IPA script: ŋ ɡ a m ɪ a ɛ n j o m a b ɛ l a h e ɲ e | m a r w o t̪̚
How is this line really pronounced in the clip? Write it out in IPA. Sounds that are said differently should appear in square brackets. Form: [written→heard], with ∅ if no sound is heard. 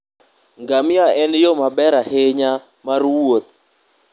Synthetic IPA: ŋ ɡ a m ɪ a ɛ n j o m a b ɛ [l→ɾ] a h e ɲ [e→a] | m a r w o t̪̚

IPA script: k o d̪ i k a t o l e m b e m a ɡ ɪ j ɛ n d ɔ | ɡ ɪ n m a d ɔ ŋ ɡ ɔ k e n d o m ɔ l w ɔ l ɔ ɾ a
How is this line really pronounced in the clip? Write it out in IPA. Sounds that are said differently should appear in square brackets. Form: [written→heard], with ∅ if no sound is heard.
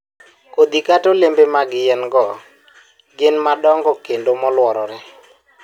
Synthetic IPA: k o d̪ i k a t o l e m b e m a ɡ ɪ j ɛ n [d→ɡ] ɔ | ɡ ɪ n m a d ɔ ŋ ɡ ɔ k e n d o m ɔ l w ɔ [l→ɾ] ɔ ɾ [a→ɛ]

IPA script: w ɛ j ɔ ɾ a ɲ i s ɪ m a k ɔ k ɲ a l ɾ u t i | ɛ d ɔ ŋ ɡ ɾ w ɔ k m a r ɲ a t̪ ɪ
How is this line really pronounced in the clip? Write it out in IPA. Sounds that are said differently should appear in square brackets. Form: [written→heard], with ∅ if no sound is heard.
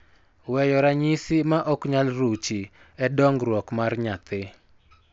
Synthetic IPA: w ɛ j ɔ ɾ a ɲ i s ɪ m a [k→ʔ] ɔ k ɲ a l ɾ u [t→t͡ʃ] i | ɛ d ɔ ŋ ɡ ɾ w ɔ k m a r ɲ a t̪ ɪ

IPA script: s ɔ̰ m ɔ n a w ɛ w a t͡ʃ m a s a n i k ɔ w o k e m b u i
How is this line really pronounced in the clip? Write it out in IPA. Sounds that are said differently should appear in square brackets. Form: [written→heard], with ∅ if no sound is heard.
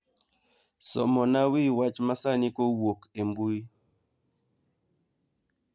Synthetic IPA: s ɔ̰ m ɔ n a w [ɛ→i] w a t͡ʃ m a s a n i k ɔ w o k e m b u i

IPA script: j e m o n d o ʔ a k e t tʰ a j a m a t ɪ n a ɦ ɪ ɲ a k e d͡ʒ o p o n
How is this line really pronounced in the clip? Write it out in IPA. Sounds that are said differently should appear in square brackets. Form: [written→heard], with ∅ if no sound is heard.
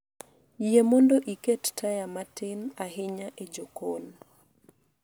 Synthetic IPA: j e m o n d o ʔ [a→i] k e t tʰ a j a m a t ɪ n a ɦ ɪ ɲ a [k→ʔ] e d͡ʒ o [p→k] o n

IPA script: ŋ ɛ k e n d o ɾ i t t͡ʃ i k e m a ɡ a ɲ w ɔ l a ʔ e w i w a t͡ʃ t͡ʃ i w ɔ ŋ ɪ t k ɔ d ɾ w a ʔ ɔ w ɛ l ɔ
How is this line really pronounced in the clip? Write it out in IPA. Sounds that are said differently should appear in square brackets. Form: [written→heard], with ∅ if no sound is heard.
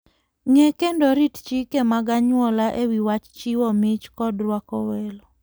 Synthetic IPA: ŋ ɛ k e n d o ɾ i t t͡ʃ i k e m a ɡ a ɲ w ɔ l a ʔ e w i w a t͡ʃ t͡ʃ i w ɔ [ŋ→m] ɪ [t→t͡ʃ] k ɔ d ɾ w a [ʔ→k] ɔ w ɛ l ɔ

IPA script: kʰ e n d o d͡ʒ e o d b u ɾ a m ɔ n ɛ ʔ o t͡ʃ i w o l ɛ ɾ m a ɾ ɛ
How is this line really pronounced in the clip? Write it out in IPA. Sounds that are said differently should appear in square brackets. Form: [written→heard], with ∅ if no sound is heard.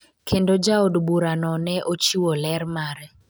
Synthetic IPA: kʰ e n d o d͡ʒ [e→a] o d b u ɾ a [m→n] ɔ n ɛ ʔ o t͡ʃ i w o l ɛ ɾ m a ɾ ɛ

